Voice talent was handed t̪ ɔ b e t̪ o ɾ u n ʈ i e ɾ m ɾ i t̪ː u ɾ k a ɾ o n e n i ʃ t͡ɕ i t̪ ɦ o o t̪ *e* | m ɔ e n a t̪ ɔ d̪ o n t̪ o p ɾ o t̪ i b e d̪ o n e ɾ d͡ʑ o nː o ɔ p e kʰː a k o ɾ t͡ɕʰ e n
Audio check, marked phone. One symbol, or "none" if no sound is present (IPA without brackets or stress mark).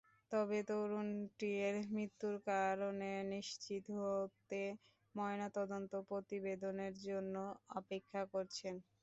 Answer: e